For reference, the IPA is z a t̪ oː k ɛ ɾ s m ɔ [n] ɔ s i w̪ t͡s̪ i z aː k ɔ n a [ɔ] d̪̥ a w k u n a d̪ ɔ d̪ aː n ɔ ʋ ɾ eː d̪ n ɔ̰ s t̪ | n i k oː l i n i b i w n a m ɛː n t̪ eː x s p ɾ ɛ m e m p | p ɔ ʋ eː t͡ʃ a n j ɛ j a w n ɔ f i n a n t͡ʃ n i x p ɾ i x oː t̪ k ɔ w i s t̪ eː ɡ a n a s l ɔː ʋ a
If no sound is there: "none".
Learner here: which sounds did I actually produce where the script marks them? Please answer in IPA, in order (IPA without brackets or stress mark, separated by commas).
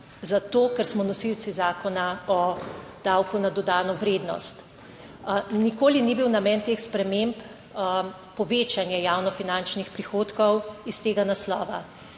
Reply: n, ɔ